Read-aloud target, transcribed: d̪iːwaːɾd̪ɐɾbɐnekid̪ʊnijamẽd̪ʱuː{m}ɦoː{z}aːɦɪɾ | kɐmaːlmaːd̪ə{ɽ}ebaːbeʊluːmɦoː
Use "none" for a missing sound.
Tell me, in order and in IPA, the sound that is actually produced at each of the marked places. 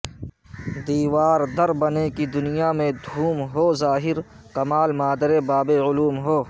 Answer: m, z, ɾ

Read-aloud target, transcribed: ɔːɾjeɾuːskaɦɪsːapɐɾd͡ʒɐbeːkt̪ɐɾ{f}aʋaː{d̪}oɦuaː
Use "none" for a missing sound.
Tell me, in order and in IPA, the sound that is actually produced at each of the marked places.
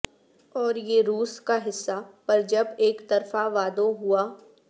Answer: f, d̪

